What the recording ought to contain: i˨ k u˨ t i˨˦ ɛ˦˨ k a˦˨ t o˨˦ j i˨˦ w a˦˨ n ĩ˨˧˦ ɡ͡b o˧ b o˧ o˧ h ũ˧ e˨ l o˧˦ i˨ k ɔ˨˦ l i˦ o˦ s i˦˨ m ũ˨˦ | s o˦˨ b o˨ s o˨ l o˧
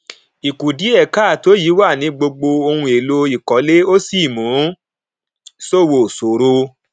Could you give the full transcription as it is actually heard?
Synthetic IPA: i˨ k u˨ d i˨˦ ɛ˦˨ k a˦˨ t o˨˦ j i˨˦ w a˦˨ n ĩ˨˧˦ ɡ͡b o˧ ɡ͡b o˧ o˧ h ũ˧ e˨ l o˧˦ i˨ k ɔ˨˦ l e˦ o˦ s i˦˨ m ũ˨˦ | s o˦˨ w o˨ s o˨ ɾ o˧